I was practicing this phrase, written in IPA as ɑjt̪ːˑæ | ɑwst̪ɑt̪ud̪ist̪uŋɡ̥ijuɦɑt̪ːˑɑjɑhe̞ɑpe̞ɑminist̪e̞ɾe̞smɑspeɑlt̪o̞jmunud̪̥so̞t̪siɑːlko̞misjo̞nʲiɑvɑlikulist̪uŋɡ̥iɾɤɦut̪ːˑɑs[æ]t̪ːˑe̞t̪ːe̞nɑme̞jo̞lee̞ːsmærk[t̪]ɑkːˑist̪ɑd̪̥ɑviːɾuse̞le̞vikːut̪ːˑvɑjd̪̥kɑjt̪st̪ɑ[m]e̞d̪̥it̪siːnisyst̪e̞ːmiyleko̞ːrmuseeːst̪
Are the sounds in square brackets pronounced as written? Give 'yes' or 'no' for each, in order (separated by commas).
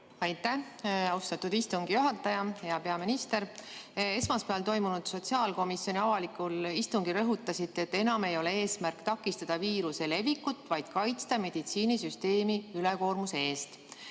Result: no, yes, yes